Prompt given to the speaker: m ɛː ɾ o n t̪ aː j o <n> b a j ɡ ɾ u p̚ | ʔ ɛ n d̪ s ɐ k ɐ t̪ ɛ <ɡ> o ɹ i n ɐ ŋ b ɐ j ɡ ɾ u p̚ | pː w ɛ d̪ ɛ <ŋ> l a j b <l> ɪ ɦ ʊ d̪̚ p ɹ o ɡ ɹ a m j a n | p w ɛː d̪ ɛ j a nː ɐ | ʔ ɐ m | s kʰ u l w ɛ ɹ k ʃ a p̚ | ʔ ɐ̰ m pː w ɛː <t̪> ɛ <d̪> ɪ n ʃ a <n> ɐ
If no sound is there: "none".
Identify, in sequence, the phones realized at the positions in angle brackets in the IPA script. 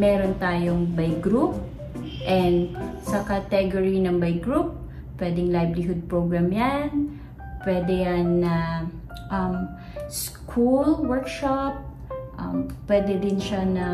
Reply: ŋ, ɡ, ŋ, l, d̪, d̪, n

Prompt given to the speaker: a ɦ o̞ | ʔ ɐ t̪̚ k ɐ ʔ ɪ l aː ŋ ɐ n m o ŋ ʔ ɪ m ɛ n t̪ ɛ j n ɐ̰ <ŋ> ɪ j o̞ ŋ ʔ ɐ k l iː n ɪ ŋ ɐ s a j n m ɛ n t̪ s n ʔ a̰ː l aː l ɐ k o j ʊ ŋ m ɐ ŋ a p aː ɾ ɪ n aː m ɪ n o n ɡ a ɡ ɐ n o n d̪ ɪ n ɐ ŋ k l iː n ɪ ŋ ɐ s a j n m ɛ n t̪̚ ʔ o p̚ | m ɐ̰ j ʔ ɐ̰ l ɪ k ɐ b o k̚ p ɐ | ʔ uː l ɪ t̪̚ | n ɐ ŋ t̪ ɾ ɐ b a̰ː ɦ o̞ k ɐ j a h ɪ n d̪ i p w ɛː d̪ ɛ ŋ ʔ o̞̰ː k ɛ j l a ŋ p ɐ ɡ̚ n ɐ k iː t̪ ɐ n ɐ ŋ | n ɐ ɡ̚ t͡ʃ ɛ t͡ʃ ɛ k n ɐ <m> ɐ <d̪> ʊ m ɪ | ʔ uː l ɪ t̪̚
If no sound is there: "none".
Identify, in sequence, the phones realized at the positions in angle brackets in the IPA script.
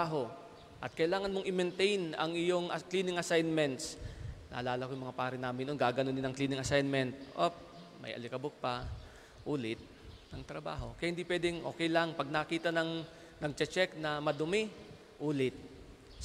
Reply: ŋ, m, d̪

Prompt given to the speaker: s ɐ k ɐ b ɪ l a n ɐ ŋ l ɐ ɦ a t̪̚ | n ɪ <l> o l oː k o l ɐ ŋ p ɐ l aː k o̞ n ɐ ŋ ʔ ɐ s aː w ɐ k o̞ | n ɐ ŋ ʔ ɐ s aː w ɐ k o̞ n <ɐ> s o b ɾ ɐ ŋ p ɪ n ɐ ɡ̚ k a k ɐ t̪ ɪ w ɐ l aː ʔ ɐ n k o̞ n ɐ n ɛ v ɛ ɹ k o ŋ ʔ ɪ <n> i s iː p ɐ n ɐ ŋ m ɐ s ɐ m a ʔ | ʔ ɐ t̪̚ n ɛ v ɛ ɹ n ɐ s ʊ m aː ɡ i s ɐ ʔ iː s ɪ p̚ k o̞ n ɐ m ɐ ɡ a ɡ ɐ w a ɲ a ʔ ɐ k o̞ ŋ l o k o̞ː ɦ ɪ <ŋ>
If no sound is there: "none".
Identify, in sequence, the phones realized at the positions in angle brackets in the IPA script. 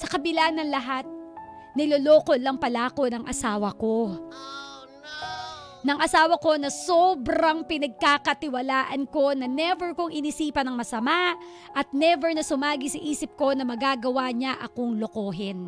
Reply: l, ɐ, n, n

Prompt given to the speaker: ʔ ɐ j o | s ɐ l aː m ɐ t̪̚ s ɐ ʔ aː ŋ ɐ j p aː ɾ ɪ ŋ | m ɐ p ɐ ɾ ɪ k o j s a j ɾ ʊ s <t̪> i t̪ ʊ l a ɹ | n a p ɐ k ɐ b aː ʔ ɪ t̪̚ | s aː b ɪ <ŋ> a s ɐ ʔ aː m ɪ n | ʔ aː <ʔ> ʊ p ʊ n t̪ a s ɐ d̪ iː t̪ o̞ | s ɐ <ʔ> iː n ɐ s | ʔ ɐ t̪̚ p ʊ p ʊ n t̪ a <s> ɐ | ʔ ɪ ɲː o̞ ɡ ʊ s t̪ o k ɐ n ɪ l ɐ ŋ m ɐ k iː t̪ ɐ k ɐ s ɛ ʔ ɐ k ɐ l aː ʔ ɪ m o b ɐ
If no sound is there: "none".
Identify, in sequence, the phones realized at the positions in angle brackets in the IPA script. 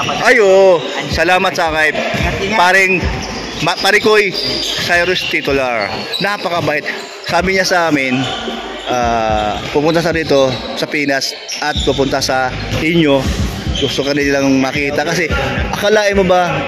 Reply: t̪, ɲ, p, p, s

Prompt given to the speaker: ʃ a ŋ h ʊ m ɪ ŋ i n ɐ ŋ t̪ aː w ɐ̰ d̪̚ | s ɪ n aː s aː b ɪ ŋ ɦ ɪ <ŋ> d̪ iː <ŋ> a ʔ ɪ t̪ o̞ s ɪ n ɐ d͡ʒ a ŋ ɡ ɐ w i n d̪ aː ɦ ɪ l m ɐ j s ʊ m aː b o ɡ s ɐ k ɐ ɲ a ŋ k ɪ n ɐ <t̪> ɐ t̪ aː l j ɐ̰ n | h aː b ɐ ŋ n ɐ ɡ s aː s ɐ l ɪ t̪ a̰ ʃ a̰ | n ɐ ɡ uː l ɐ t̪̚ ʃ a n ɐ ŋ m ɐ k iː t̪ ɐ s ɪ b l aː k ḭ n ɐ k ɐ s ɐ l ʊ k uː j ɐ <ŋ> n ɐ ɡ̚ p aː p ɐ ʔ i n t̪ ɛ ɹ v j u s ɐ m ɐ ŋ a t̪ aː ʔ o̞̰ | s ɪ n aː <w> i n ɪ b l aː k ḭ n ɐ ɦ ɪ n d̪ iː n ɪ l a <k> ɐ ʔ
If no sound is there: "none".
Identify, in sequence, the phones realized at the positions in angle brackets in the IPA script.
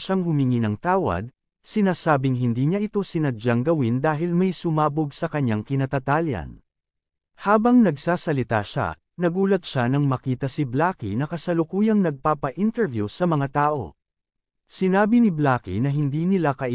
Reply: n, ɲ, t̪, ŋ, b, k

